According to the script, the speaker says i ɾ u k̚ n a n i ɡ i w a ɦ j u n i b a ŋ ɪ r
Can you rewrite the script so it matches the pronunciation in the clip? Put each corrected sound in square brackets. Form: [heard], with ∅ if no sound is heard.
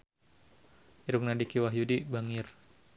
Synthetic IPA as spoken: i ɾ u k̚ n a [d] i [k] i w a ɦ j u [d] i b a ŋ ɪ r